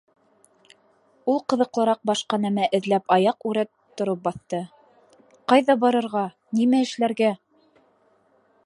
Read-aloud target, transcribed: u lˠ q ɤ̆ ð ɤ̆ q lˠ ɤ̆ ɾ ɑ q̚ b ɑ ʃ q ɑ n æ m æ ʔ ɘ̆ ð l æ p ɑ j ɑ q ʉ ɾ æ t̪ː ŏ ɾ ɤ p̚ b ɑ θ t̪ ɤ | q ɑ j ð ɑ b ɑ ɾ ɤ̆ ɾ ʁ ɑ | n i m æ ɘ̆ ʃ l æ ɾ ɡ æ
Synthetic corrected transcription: u lˠ q ɤ̆ ð ɤ̆ q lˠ ɤ̆ ɾ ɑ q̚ b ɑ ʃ q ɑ n æ m æ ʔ ɘ̆ ð l æ p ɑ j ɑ q ʉ ɾ æ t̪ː ŏ ɾ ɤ p̚ b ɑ θ t̪ ɤ | q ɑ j ð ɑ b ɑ ɾ ɤ̆ ɾ ʁ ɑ | n i m æ ɘ̆ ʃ l æ ɾ ɡ æ